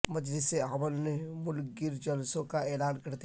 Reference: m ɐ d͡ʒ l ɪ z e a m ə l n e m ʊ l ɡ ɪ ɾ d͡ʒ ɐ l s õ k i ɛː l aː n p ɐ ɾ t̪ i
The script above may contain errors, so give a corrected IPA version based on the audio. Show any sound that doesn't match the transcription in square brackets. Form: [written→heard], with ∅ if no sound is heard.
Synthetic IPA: m ɐ d͡ʒ l ɪ [z→s] e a m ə l n e m ʊ l ɡ ɪ ɾ d͡ʒ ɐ l s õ k [i→a] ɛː l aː n [p→k] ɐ ɾ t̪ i